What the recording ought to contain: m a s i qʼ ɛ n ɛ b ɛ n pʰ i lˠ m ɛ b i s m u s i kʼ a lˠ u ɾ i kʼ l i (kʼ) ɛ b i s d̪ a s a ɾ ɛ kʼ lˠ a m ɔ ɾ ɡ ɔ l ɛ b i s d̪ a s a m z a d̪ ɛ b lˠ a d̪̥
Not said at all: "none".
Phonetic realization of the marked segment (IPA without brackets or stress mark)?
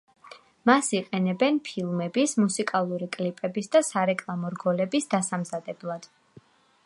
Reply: pʼ